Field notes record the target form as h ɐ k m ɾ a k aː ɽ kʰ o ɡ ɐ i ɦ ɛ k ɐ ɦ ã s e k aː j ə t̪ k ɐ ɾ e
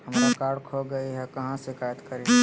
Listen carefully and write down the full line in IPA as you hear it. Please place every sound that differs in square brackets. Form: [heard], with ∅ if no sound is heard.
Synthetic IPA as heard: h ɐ [∅] m ɾ a k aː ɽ kʰ o ɡ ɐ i ɦ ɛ k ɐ ɦ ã s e k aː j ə t̪ k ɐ ɾ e